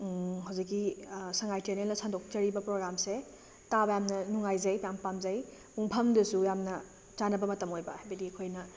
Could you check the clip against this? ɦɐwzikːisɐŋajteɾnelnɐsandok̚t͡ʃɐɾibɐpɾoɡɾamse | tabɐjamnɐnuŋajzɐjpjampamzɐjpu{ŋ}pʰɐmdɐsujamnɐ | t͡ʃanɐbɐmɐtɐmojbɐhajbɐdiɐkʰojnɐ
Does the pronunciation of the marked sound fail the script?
no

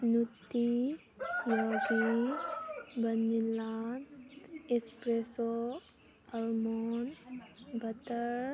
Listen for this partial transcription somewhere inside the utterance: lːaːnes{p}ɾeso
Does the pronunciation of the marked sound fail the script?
no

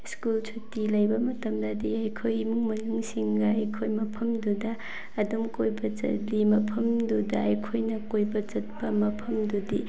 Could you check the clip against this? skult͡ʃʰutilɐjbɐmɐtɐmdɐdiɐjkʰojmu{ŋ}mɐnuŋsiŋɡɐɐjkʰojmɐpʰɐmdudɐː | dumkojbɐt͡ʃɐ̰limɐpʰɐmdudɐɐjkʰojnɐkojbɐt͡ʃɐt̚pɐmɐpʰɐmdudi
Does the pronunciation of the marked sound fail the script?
no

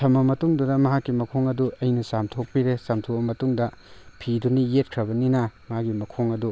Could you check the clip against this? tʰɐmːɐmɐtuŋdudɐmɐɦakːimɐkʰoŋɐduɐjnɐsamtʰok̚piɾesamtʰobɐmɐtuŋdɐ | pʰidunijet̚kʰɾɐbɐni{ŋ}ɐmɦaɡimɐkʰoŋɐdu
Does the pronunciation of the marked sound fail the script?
yes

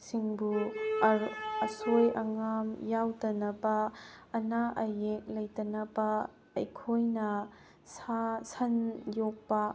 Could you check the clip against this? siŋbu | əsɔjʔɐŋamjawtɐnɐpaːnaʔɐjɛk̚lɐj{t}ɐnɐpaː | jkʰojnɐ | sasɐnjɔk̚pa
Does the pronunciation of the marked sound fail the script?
no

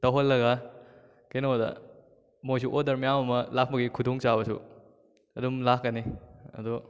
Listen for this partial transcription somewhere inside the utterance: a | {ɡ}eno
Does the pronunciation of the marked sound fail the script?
yes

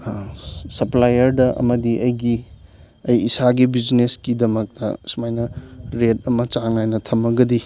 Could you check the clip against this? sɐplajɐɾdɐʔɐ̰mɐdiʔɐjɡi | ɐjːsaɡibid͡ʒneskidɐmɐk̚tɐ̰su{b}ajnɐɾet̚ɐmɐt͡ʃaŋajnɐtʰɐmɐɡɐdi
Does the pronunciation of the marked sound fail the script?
yes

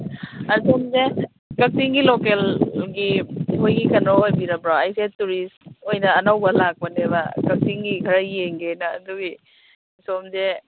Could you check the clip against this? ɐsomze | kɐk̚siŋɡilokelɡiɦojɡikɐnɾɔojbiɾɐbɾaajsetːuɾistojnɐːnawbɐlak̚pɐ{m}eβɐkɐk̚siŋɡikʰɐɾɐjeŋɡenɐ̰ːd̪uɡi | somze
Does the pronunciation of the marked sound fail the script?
yes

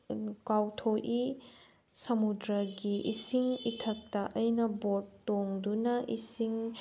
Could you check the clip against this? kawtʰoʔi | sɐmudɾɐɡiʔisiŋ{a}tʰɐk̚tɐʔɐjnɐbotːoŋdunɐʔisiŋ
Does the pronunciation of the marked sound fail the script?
yes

